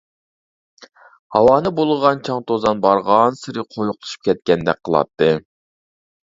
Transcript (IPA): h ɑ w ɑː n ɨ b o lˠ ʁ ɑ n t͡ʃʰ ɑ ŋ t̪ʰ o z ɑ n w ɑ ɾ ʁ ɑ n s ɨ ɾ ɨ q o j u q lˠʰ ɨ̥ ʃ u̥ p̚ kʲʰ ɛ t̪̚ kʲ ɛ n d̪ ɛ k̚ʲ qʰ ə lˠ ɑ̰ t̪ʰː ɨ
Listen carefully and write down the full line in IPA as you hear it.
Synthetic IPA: h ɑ w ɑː n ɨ b o lˠ ʁ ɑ n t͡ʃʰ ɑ ŋ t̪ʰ o z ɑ n b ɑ ɾ ʁ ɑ n s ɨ ɾ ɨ qʰ o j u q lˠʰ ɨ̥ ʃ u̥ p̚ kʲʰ ɛ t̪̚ kʲ ɛ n d̪ ɛ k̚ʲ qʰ ə lˠ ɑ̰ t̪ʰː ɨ